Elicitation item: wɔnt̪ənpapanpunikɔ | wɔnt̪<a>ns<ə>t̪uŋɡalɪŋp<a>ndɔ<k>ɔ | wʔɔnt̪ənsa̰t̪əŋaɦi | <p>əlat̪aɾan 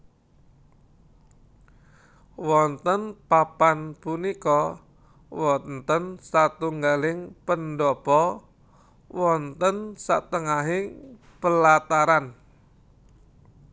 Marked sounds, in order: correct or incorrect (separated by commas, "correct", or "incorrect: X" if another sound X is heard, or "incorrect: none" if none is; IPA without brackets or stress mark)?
incorrect: ə, incorrect: a, incorrect: ə, incorrect: p, correct